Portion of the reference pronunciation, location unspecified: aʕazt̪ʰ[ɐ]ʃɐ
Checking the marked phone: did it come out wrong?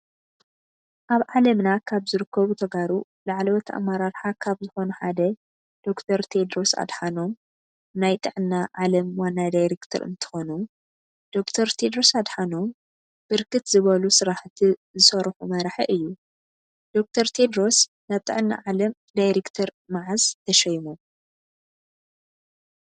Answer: no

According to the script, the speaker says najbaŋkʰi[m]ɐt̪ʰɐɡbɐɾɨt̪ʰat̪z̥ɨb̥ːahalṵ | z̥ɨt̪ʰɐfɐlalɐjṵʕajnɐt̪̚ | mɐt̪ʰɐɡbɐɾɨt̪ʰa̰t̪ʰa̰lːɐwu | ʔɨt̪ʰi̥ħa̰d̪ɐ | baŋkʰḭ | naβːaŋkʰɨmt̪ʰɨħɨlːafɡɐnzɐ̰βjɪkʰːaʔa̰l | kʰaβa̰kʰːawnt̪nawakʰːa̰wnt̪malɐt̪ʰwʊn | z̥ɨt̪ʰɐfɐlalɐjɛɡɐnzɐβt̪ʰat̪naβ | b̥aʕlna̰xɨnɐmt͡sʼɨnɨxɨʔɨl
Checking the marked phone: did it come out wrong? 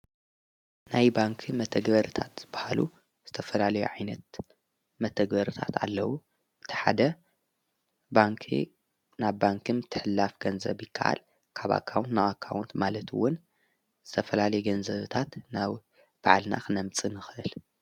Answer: no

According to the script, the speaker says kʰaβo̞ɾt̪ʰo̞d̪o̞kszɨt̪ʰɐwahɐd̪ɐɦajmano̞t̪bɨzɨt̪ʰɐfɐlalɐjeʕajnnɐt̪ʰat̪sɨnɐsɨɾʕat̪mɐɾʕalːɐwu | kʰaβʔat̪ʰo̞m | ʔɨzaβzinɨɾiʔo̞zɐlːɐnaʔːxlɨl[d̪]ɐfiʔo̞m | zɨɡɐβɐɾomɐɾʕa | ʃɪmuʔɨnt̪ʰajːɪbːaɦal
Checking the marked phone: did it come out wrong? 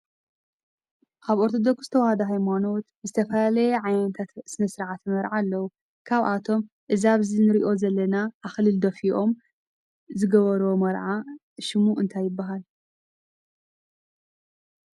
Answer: no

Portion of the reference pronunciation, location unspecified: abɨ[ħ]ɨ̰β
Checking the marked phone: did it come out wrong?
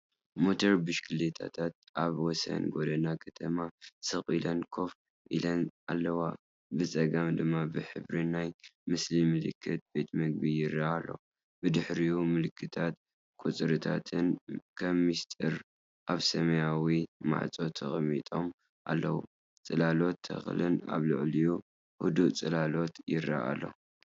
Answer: no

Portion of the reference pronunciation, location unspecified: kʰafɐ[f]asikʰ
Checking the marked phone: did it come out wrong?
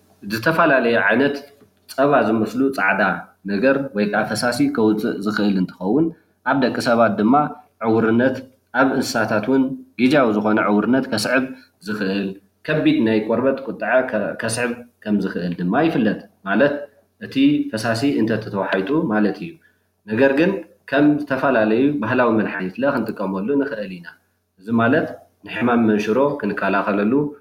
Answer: yes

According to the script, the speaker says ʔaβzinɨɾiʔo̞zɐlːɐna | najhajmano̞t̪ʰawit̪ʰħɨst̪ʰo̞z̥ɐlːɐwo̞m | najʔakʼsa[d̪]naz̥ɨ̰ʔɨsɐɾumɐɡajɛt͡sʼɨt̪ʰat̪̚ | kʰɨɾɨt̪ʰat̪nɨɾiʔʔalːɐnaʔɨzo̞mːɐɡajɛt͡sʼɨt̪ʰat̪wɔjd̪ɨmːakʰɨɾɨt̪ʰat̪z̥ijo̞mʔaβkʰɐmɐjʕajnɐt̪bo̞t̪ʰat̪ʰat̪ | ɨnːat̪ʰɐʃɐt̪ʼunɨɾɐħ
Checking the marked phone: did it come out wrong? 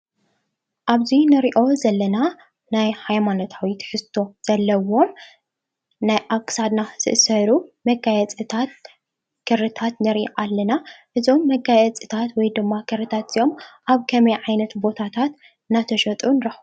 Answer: no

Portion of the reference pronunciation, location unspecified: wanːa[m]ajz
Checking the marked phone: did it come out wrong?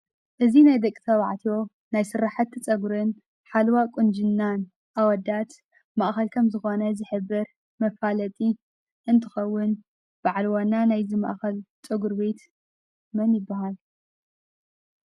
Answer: yes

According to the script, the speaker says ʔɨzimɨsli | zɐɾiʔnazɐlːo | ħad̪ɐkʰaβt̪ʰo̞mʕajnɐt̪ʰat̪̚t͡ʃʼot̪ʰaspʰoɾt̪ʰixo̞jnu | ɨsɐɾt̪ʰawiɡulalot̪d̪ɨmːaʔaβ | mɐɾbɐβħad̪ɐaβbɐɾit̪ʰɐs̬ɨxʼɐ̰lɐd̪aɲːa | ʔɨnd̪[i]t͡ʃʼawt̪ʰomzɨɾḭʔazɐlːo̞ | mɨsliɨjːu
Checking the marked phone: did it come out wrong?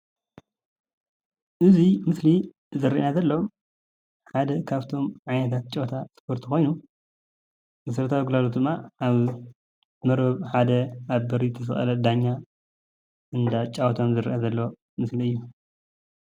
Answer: yes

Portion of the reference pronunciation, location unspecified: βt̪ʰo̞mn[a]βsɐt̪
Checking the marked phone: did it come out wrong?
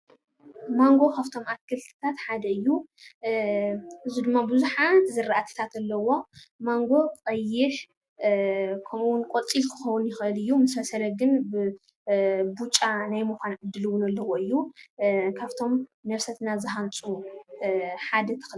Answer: yes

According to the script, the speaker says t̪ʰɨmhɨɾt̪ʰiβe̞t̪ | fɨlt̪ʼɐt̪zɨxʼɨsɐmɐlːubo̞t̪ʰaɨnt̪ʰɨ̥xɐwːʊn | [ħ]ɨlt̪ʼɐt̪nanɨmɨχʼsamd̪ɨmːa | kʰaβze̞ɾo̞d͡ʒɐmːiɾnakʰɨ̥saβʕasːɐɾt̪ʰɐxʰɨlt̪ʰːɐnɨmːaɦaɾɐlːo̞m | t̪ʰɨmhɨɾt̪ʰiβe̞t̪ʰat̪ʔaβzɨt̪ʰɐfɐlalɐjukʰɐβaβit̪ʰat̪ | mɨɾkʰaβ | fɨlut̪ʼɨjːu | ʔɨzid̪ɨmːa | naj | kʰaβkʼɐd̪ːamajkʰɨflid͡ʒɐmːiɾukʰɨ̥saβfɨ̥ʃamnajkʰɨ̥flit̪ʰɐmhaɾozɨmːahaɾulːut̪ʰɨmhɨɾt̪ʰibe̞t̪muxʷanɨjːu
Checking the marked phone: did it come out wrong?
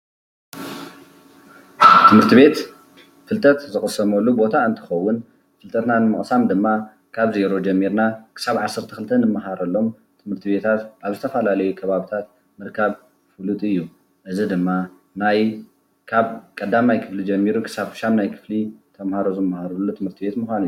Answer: yes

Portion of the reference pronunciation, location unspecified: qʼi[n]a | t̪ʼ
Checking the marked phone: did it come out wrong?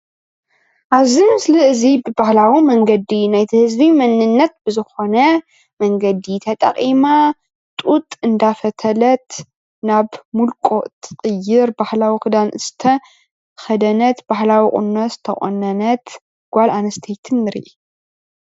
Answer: yes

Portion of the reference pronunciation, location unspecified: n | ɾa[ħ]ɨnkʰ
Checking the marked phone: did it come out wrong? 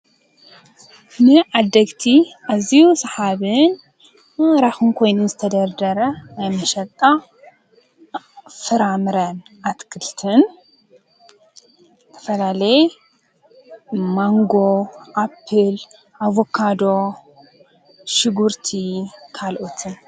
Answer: yes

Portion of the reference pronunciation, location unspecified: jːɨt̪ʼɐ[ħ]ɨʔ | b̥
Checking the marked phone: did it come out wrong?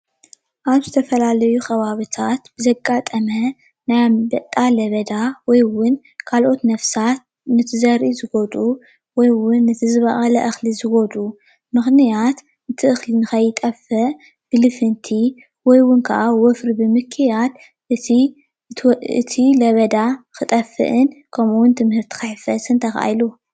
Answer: yes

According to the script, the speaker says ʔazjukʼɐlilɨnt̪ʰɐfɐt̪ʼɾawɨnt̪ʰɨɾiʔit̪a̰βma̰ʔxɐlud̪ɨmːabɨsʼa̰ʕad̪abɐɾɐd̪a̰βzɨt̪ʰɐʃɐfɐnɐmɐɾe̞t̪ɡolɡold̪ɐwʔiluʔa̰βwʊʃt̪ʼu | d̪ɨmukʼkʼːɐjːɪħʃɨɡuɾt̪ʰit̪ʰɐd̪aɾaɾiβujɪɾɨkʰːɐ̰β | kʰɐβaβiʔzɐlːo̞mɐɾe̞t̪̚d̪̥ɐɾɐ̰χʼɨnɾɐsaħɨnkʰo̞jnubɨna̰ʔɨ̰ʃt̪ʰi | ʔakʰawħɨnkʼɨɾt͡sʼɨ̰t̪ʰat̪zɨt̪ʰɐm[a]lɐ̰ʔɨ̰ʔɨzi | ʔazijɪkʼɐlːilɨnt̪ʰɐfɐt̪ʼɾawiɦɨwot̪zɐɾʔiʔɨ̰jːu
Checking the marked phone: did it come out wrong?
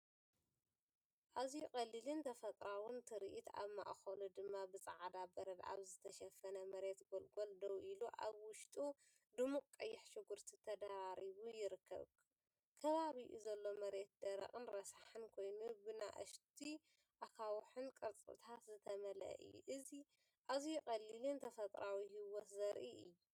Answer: yes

